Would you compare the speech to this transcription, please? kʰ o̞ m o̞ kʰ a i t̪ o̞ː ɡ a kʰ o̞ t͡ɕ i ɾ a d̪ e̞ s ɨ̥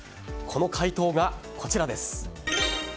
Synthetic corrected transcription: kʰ o̞ n o̞ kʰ a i t̪ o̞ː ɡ a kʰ o̞ t͡ɕ i ɾ a d̪ e̞ s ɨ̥